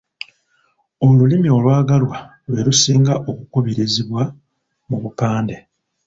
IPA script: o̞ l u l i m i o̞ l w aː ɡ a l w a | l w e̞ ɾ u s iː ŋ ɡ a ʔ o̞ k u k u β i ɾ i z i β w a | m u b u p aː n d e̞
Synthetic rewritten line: o̞ l u l i m i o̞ l w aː ɡ a l w a | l w e̞ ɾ u s iː ŋ ɡ a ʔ o̞ k u k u β i ɾ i z i β w a | m u β u p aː n d e̞